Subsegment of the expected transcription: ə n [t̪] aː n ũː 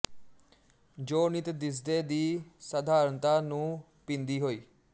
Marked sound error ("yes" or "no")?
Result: no